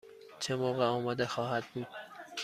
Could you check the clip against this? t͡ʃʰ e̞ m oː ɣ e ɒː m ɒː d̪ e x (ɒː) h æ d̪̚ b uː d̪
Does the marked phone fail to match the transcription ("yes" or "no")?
no